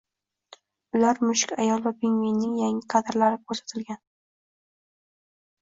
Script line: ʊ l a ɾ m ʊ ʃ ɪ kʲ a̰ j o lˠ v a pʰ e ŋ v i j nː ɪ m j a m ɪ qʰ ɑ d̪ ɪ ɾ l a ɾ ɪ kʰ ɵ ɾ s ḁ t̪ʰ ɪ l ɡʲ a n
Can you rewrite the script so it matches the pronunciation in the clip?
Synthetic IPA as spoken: ʊ l a ɾ m ʊ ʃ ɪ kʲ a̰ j ɒ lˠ v a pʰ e ŋ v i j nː ɪ ŋ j a ŋ ɪ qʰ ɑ d̪ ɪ ɾ l a ɾ ɪ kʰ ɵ ɾ s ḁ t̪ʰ ɪ l ɡʲ a n